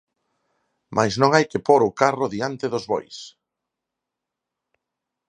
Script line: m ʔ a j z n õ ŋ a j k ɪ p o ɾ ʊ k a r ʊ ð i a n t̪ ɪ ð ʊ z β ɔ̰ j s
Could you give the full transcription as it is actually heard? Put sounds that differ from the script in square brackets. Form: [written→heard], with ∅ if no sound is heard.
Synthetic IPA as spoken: m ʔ a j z n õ ŋ a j k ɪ p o ɾ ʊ k a r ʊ ð i a n t̪ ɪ ð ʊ z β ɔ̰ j s

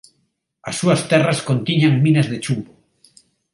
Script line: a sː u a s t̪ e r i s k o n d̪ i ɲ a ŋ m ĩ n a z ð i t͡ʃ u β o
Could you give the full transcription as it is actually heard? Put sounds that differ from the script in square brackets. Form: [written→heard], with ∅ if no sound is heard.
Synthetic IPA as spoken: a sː u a s t̪ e r [i→a] s k o n [d̪→t̪] i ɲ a ŋ m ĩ n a z ð [i→e] t͡ʃ u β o

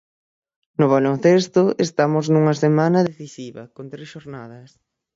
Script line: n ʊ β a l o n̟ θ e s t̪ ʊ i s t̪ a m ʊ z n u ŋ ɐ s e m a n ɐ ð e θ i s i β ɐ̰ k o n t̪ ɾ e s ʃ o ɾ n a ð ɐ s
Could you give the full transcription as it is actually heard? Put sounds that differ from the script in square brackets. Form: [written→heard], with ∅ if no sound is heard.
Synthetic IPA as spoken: n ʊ β a l o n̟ θ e s t̪ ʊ [i→e] s t̪ a m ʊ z n u ŋ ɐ s e m a n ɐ ð e θ i s i β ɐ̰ k o n t̪ ɾ e s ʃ o ɾ n a ð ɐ s

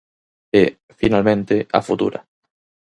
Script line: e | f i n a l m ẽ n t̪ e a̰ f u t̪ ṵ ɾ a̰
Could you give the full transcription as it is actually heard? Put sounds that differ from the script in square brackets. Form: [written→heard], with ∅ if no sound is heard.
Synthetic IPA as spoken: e | f i n a l m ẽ n t̪ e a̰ f u t̪ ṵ ɾ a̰

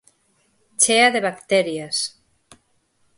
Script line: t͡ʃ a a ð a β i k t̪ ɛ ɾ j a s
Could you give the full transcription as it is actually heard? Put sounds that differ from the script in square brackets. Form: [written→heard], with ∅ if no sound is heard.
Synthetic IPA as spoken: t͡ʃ [a→e] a ð [a→e] β [i→a] k t̪ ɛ ɾ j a s

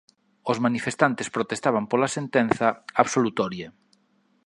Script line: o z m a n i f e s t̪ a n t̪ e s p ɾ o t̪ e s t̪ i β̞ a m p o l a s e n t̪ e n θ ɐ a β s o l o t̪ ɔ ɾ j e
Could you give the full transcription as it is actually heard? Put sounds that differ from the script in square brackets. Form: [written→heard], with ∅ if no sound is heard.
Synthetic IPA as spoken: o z m a n i f e s t̪ a n t̪ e s p ɾ o t̪ e s t̪ [i→a] β̞ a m p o l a s e n t̪ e n θ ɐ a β s o l [o→u] t̪ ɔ ɾ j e

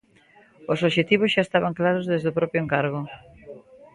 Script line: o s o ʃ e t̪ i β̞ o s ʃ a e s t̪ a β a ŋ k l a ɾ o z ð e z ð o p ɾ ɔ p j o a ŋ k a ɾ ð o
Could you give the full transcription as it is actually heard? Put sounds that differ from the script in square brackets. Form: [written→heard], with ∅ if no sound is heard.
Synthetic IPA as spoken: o s o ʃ e t̪ i β̞ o s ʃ a e s t̪ a β a ŋ k l a ɾ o z ð e z ð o p ɾ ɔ p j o [a→e] ŋ k a ɾ [ð→ɣ] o

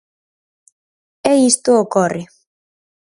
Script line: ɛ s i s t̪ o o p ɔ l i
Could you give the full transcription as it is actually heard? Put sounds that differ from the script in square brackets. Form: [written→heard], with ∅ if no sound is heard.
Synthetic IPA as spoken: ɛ [s→∅] i s t̪ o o [p→k] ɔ [l→r] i

